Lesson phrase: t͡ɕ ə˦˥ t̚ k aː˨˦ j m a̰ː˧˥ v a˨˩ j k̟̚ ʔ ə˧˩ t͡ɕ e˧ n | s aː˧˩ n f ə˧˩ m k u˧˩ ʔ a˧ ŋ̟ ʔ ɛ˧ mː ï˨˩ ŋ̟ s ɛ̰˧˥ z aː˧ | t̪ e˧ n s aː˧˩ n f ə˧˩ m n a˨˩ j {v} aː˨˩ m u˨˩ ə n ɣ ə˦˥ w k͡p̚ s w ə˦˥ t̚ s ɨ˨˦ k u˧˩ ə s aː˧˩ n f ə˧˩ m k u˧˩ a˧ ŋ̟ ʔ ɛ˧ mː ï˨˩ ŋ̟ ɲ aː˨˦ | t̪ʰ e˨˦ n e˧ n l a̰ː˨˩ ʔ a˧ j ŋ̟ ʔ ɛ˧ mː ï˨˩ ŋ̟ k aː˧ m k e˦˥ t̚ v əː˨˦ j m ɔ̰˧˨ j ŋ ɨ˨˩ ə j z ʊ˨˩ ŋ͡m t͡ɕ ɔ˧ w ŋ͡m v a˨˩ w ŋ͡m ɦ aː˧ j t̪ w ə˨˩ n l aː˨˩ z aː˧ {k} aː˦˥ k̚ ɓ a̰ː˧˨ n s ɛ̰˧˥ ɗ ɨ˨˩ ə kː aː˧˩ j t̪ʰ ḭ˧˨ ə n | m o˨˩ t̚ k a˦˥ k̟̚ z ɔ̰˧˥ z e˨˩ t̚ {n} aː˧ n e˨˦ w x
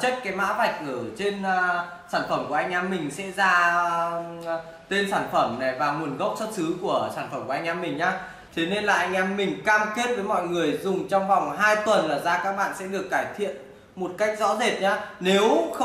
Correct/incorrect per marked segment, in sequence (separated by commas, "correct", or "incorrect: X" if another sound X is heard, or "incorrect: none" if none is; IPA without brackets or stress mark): correct, correct, incorrect: ɲ